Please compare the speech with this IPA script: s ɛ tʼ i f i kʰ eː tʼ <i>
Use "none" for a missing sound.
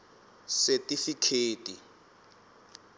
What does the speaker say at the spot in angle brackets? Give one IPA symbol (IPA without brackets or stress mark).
i